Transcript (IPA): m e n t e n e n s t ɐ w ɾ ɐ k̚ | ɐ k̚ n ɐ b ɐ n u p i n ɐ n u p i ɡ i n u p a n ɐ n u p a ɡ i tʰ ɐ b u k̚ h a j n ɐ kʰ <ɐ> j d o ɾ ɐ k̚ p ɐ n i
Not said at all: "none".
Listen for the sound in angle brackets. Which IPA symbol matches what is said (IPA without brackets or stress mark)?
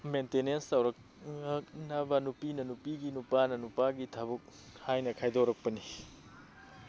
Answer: a